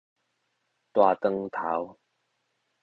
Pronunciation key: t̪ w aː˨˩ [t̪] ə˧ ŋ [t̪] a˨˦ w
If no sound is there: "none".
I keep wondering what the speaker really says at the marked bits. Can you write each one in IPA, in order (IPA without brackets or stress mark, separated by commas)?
t̪, t̪ʰ